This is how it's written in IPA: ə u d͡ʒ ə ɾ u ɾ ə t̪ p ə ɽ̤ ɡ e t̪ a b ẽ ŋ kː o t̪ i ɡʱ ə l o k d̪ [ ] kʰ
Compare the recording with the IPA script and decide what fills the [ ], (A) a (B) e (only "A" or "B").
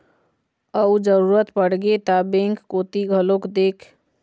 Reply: B